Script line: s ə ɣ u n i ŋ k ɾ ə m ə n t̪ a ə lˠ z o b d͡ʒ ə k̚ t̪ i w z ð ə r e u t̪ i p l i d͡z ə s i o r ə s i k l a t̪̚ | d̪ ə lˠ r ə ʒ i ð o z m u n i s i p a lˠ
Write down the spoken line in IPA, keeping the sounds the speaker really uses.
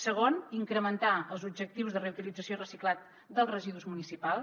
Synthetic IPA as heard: s ə ɣ o n i ŋ k ɾ ə m ə n t̪ a ə lˠ z u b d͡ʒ ə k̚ t̪ i w z ð ə r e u t̪ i l i d͡z ə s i o r ə s i k l a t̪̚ | d̪ ə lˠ r ə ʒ i ð u z m u n i s i p a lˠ